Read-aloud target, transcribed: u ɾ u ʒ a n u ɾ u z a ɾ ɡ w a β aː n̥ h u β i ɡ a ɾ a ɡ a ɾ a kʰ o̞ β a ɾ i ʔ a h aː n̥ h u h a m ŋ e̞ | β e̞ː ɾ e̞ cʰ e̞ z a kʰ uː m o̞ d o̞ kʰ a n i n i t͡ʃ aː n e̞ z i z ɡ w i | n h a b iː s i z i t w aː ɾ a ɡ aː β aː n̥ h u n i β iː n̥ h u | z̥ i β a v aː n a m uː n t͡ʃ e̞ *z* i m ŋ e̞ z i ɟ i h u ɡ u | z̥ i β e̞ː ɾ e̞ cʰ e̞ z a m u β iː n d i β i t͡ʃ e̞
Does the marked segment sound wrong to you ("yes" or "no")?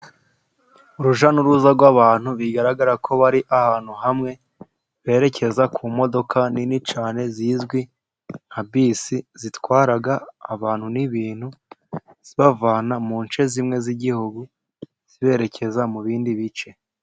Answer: no